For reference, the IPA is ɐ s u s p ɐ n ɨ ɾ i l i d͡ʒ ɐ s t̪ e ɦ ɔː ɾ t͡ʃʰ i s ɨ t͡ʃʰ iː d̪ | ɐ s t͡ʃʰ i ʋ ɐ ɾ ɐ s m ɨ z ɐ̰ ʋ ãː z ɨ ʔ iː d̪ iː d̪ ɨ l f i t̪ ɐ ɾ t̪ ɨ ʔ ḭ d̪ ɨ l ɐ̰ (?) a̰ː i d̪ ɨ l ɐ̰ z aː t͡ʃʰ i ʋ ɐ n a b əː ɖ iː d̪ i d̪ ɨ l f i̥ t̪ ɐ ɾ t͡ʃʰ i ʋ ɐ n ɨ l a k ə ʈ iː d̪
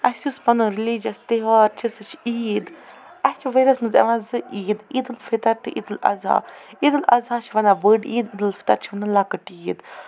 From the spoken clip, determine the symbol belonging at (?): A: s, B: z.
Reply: B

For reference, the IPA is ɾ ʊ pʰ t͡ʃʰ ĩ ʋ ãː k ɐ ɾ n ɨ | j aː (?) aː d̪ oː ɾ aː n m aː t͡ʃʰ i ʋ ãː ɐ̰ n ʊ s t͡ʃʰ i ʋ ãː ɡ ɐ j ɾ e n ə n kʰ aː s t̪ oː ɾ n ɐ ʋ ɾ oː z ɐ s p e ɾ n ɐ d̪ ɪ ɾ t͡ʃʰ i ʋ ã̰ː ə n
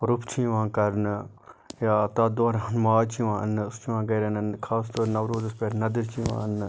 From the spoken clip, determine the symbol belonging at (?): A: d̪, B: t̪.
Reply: B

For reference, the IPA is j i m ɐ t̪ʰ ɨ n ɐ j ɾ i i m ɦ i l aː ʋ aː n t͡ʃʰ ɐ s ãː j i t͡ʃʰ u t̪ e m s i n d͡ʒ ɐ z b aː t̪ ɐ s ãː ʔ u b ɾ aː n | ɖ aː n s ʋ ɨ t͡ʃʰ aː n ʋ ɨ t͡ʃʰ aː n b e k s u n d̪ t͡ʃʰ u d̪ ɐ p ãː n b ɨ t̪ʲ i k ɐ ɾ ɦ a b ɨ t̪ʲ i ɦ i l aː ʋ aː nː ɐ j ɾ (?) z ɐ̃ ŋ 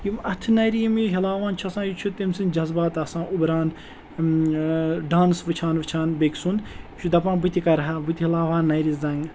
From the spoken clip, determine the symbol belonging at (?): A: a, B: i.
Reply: B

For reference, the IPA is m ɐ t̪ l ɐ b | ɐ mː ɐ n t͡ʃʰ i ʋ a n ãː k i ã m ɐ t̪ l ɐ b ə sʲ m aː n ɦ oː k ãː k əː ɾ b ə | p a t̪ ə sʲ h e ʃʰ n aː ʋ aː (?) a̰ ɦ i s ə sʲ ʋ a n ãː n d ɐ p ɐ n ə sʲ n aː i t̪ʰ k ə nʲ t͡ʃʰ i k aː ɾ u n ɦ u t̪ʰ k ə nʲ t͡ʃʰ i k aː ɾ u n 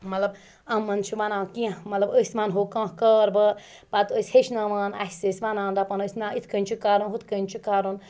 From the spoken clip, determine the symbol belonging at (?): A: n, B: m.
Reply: A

